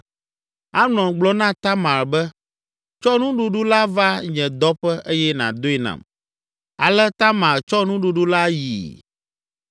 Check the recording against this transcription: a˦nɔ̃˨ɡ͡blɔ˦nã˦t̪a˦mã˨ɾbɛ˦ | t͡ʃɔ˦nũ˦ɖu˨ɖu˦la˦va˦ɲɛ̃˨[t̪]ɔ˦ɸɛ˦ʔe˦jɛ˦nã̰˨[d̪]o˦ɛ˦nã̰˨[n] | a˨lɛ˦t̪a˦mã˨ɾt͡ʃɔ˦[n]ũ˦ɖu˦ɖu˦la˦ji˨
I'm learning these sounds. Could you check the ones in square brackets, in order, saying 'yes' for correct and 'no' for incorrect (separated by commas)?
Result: no, yes, no, yes